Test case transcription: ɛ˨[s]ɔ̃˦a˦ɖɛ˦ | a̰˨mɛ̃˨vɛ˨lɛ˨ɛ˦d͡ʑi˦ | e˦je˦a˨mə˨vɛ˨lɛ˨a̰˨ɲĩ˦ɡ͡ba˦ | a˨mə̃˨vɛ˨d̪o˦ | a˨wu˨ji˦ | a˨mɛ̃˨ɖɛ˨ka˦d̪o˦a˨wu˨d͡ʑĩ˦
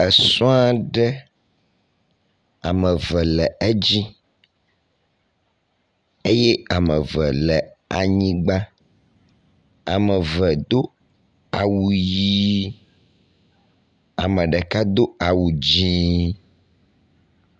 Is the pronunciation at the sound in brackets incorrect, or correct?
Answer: correct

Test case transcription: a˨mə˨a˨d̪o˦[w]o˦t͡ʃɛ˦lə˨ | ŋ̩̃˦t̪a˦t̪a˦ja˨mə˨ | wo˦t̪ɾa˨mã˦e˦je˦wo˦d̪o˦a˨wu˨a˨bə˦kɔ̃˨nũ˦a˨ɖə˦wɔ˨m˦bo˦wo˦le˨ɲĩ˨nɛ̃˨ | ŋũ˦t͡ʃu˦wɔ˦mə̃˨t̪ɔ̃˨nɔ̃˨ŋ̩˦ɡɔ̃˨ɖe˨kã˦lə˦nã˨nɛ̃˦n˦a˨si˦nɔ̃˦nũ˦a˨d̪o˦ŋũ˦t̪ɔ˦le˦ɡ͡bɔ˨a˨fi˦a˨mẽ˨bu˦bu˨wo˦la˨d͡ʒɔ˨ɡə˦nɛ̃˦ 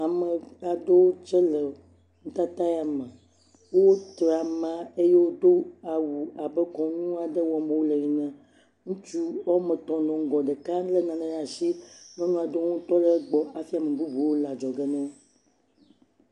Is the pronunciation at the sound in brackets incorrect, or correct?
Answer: correct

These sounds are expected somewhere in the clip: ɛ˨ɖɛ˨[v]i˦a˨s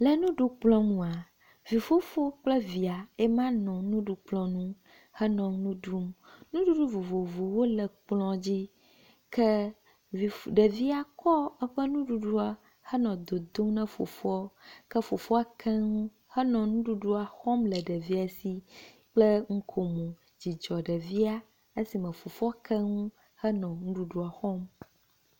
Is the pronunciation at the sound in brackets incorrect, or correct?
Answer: correct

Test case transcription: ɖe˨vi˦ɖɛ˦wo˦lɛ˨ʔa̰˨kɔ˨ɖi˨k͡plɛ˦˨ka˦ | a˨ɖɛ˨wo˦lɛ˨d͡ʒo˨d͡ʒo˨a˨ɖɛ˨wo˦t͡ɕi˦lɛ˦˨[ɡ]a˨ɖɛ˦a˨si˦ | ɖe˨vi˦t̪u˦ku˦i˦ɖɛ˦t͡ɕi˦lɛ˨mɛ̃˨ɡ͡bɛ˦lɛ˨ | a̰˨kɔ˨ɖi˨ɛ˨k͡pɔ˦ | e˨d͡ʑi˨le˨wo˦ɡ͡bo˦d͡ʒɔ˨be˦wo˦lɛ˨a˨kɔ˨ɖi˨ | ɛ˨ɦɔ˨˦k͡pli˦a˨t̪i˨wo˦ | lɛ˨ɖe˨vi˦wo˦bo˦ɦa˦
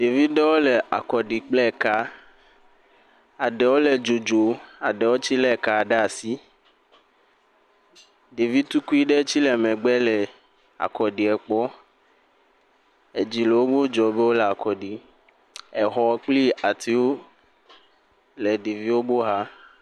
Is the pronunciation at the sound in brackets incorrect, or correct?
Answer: incorrect: k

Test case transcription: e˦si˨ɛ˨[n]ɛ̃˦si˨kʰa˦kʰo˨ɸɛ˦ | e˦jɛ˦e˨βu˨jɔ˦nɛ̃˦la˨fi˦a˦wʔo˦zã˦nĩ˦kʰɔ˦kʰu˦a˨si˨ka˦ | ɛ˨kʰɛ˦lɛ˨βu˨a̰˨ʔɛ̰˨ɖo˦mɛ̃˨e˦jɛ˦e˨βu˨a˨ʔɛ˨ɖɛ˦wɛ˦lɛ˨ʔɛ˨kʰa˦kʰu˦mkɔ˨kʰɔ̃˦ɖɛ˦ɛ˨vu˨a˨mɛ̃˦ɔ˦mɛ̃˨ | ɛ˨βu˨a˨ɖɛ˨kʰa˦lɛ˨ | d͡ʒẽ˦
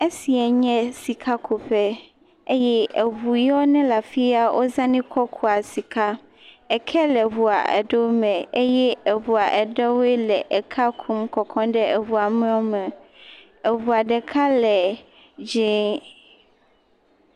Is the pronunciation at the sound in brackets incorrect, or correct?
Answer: incorrect: ɲ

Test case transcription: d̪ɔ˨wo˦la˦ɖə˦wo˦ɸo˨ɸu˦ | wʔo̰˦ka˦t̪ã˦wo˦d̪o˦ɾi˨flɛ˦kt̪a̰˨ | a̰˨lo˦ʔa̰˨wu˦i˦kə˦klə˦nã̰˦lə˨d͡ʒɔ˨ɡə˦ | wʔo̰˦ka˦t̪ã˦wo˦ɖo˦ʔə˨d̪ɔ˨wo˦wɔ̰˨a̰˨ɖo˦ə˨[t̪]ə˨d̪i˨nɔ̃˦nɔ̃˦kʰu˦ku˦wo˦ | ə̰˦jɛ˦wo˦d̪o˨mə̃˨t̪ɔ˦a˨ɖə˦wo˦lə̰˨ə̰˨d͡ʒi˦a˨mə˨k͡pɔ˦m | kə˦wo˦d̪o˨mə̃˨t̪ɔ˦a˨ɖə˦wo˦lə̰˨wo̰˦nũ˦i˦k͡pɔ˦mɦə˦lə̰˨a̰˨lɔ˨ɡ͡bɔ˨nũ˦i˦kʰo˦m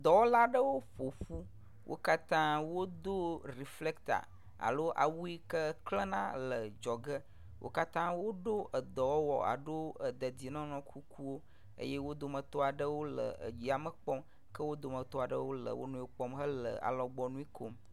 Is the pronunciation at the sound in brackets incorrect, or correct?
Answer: incorrect: d̪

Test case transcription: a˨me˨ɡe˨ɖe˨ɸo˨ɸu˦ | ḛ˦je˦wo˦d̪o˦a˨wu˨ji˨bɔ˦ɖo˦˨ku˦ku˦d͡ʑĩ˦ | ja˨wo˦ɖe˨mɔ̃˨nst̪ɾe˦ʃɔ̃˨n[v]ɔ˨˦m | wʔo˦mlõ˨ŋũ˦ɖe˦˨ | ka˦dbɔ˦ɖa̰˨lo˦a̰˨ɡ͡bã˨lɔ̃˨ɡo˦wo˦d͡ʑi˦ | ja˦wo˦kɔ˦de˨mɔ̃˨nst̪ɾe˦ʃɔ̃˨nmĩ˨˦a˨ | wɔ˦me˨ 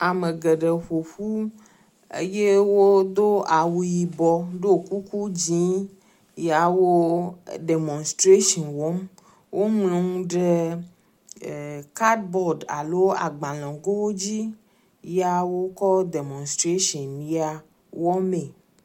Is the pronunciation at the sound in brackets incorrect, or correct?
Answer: incorrect: w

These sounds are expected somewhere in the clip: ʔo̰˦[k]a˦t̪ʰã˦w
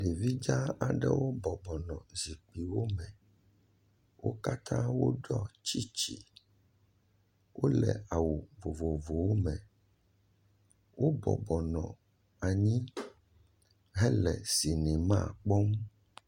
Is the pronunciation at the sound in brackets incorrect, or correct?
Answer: correct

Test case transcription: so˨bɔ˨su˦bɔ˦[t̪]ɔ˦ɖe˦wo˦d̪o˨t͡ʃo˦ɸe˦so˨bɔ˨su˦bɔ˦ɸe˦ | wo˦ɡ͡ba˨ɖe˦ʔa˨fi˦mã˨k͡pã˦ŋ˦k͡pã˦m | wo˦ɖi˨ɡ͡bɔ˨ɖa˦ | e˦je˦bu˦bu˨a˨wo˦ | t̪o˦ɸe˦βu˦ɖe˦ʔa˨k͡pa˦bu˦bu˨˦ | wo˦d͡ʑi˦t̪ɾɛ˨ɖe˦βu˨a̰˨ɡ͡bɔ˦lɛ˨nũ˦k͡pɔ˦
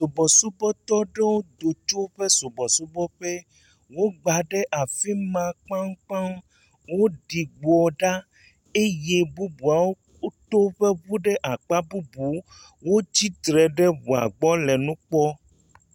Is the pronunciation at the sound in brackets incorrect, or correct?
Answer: correct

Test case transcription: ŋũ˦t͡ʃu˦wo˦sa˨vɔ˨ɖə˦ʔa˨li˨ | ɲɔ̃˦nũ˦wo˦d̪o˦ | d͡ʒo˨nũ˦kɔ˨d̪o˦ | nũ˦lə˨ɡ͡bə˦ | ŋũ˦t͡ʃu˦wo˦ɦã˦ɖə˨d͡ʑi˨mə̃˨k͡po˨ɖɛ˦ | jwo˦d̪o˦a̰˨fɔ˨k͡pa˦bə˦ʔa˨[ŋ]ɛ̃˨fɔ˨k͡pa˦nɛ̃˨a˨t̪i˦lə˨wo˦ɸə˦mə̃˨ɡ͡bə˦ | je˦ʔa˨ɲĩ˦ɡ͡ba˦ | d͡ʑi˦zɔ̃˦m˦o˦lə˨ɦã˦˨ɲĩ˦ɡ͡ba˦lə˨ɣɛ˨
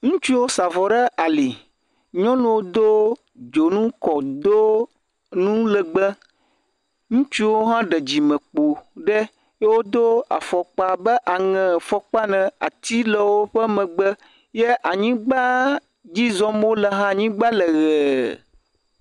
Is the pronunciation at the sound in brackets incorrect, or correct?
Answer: correct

